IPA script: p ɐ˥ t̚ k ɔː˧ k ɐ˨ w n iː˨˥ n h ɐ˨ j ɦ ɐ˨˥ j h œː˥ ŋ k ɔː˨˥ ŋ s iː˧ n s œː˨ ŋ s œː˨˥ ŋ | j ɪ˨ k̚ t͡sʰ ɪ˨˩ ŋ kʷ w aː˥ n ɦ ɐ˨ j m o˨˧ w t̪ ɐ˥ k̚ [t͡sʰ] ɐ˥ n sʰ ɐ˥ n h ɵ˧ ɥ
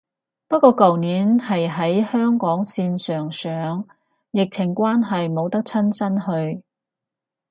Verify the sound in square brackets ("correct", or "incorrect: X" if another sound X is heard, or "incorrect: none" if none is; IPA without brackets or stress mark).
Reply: correct